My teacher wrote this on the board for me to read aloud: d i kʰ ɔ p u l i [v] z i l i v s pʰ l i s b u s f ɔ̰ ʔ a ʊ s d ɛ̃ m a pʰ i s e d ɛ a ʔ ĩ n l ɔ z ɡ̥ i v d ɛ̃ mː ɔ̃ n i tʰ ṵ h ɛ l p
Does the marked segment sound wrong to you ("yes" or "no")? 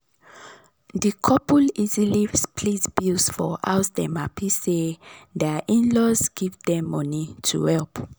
yes